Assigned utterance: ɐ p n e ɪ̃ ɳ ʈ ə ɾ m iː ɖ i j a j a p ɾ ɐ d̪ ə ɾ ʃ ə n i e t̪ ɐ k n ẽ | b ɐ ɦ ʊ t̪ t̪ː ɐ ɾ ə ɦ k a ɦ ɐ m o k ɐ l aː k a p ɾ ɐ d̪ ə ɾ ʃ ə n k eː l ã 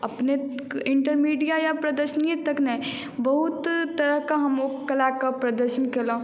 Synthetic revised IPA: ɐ p n e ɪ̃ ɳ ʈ ə ɾ m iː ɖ i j a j a p ɾ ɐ d̪ ə ɾ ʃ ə n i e t̪ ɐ k n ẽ | b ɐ ɦ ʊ t̪ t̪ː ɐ ɾ ə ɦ k a ɦ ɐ m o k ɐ l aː k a p ɾ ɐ d̪ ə ɾ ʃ ə n k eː l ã